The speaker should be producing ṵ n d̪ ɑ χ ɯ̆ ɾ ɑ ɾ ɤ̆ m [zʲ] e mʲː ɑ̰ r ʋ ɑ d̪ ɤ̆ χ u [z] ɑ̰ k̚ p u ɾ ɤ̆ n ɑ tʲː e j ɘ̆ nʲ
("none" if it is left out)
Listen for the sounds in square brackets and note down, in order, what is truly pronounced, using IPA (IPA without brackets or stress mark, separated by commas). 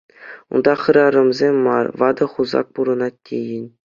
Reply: zʲ, z